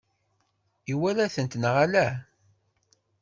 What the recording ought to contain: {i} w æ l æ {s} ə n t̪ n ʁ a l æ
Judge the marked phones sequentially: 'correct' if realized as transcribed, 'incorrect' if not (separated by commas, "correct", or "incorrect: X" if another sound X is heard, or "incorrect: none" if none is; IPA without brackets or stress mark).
correct, incorrect: θ